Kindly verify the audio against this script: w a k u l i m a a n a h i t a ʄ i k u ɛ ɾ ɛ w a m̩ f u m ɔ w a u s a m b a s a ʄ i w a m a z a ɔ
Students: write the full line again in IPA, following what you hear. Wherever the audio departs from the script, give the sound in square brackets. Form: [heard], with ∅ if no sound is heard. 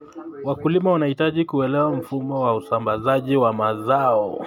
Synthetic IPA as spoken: w a k u l i m a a n a h i t a ʄ i k u ɛ [l] ɛ w a m̩ f u m ɔ w a u s a m b a [z] a ʄ i w a m a z a ɔ